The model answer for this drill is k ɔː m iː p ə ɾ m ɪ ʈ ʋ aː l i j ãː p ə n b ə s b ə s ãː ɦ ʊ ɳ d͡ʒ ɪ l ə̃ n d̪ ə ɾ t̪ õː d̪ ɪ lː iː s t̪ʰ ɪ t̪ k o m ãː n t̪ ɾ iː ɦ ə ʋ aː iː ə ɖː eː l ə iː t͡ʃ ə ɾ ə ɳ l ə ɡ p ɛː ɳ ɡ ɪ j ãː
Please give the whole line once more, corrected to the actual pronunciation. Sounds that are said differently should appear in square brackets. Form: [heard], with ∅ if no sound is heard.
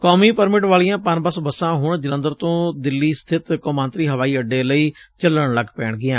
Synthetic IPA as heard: k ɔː m iː p ə ɾ m ɪ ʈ ʋ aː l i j ãː p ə n b ə s b ə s ãː ɦ ʊ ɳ d͡ʒ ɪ l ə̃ n d̪ ə ɾ t̪ õː d̪ ɪ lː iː s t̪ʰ ɪ t̪ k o m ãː n t̪ ɾ iː ɦ ə ʋ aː iː ə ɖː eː l ə iː t͡ʃ ə [l] ə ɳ l ə ɡ p ɛː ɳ ɡ ɪ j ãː